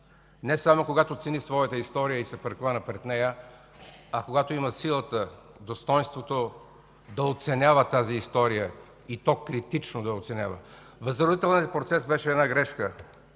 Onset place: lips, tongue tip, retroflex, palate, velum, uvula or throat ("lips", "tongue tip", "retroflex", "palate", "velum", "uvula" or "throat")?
tongue tip